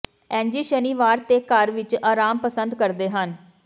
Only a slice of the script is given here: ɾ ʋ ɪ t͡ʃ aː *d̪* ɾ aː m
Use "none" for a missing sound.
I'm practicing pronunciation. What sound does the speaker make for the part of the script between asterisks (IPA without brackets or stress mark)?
none